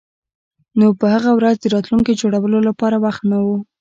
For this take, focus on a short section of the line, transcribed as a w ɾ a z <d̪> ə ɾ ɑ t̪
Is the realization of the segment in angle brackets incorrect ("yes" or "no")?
no